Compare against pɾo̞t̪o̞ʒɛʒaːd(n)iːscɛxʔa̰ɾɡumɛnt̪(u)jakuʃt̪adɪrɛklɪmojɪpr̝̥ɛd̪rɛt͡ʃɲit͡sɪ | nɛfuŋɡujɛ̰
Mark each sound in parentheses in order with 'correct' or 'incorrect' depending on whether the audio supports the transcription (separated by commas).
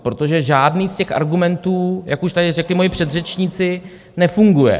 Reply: correct, incorrect